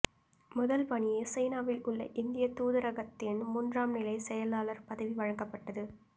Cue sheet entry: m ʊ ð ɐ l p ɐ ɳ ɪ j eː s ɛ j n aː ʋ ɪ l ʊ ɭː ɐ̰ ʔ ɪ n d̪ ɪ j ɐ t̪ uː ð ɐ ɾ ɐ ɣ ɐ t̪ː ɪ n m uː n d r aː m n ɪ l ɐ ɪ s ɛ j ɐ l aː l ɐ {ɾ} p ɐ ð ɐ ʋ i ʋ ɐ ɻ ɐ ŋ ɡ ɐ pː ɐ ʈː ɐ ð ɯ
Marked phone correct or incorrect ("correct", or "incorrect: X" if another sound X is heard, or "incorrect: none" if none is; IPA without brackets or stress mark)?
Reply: correct